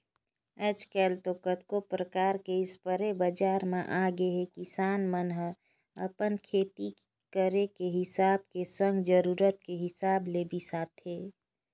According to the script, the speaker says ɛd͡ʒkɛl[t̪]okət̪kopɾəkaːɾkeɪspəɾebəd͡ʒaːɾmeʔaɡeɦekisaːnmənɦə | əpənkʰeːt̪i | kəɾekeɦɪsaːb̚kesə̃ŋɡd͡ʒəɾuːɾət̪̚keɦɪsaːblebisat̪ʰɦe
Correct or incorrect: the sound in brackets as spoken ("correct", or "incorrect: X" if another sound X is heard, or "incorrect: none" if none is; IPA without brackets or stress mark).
correct